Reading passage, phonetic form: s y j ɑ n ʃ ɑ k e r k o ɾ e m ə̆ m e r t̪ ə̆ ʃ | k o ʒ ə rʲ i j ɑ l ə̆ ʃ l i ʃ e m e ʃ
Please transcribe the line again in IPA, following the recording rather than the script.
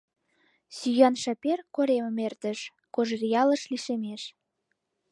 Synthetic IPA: s y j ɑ n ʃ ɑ p e r k o ɾ e m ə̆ m e r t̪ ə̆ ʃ | k o ʒ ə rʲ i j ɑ l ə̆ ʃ l i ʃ e m e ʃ